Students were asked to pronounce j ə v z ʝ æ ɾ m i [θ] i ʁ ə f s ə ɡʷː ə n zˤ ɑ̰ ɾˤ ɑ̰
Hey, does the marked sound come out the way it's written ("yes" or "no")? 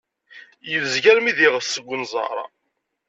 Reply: no